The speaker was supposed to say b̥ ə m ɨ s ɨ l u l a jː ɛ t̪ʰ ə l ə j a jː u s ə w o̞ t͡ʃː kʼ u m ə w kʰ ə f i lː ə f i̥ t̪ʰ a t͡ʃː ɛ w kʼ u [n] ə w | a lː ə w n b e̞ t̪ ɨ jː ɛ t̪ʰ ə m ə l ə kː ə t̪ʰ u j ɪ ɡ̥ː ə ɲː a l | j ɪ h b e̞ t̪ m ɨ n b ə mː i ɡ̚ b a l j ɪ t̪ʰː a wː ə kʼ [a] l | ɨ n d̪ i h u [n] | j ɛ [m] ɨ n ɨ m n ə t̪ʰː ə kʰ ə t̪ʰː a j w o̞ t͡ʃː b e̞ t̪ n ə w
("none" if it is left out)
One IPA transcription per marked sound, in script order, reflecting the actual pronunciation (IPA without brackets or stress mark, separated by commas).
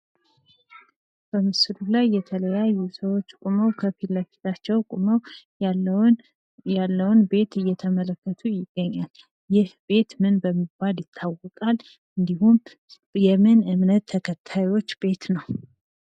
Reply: m, a, m, m